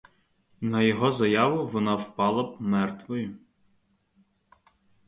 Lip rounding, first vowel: unrounded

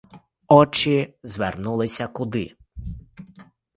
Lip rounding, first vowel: rounded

